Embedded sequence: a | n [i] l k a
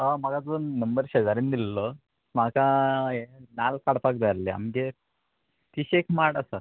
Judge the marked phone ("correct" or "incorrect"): incorrect